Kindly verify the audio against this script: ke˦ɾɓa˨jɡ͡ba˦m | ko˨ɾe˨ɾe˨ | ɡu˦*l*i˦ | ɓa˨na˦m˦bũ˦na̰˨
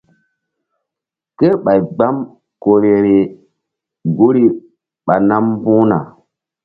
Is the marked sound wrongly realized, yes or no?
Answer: yes